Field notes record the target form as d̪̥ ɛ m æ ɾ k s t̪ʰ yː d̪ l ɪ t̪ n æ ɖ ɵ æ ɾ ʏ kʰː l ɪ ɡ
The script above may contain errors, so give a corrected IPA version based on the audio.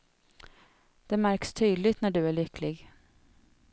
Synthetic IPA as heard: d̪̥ ɛ m æ ɾ k s t̪ʰ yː d̪ l ɪ t̪ n æ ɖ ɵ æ ɭ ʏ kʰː l ɪ ɡ